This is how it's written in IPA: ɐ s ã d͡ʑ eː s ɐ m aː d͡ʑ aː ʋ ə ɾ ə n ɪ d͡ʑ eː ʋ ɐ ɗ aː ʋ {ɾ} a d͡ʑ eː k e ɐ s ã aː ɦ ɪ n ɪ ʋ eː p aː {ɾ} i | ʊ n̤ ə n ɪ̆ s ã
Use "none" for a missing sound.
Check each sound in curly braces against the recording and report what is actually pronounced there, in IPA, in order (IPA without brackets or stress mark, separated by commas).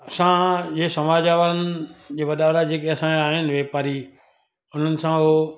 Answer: ɾ, ɾ